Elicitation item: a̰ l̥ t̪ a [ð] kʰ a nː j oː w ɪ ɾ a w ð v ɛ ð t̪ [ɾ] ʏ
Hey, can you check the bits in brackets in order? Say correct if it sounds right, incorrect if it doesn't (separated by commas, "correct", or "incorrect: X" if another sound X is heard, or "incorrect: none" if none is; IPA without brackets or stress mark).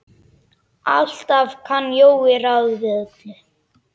incorrect: v, incorrect: l